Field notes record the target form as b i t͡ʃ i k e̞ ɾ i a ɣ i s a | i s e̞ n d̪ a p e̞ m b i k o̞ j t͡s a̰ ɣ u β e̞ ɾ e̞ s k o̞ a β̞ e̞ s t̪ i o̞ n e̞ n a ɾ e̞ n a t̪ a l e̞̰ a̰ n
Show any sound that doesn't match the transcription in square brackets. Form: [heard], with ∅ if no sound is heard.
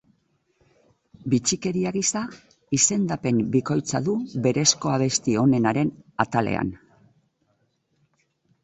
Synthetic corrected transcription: b i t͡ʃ i k e̞ ɾ i a ɣ i s a | i s e̞ n d̪ a p e̞ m b i k o̞ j t͡s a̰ [ð] u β e̞ ɾ e̞ s k o̞ a β̞ e̞ s t̪ i o̞ n e̞ n a ɾ e̞ n a t̪ a l e̞̰ a̰ n